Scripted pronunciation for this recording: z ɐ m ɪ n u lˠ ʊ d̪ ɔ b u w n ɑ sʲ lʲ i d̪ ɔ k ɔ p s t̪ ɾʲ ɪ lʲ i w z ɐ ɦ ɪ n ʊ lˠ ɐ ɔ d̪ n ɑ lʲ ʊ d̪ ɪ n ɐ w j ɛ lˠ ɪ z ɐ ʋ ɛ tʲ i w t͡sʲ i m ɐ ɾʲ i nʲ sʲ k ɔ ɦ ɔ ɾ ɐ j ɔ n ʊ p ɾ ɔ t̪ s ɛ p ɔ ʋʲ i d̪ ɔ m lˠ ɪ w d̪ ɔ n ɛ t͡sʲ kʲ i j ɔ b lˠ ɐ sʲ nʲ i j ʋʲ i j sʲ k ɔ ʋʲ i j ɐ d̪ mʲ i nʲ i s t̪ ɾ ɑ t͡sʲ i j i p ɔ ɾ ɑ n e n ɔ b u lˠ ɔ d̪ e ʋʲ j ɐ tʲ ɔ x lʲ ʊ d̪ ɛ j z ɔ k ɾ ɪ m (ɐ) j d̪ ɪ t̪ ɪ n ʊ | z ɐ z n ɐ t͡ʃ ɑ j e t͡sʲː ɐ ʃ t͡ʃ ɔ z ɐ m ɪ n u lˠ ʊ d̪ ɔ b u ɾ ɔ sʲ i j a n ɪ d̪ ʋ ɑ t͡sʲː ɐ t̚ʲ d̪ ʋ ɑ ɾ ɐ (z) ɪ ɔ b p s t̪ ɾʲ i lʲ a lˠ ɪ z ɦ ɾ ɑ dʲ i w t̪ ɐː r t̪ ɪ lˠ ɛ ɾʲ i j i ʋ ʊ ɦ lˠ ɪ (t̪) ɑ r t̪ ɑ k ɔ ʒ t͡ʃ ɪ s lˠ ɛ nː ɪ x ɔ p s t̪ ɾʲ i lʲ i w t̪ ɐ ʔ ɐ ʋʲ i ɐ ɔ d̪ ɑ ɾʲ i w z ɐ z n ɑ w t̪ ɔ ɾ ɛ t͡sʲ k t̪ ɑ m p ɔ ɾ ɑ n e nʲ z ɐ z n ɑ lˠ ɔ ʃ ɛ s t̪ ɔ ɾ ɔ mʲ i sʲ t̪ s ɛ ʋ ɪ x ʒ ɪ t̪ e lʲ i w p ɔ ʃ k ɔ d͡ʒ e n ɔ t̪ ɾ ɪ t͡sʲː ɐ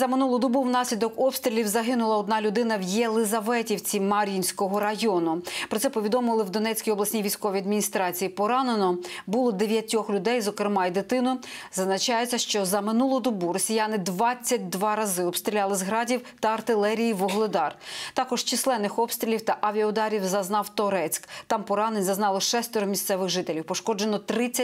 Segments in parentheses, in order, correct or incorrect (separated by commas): incorrect, correct, incorrect